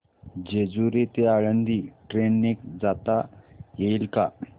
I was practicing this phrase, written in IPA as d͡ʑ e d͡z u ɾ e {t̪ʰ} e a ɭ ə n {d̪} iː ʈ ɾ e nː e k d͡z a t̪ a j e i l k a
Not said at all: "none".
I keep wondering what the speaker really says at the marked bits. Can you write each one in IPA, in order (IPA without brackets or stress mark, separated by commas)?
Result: t̪, d̪